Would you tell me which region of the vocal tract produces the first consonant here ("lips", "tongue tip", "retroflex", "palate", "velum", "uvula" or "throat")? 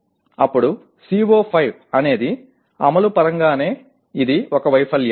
lips